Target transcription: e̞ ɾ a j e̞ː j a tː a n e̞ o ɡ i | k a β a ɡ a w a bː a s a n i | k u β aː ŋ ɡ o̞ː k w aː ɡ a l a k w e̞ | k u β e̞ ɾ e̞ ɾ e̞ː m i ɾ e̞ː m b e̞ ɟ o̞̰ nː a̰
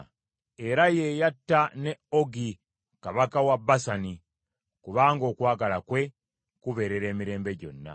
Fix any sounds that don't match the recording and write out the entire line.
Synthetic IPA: e̞ ɾ a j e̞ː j a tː a n e̞ o ɡ i | k a β a k a w a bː a s a n i | k u β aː ŋ ɡ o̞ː k w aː ɡ a l a k w e̞ | k u β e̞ ɾ e̞ ɾ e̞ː m i ɾ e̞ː m b e̞ ɟ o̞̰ nː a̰